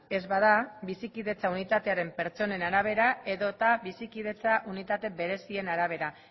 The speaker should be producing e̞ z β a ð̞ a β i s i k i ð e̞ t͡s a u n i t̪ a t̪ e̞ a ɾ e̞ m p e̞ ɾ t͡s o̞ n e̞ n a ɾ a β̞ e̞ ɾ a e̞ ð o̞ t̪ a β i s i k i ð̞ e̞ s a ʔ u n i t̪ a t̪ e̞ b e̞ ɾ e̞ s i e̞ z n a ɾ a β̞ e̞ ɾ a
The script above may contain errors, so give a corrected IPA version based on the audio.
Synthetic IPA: e̞ z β a ð̞ a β i s i k i ð e̞ t͡s a u n i t̪ a t̪ e̞ a ɾ e̞ m p e̞ ɾ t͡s o̞ n e̞ n a ɾ a β̞ e̞ ɾ a e̞ ð o̞ t̪ a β i s i k i ð̞ e̞ t͡s a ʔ u n i t̪ a t̪ e̞ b e̞ ɾ e̞ s i e̞ n a ɾ a β̞ e̞ ɾ a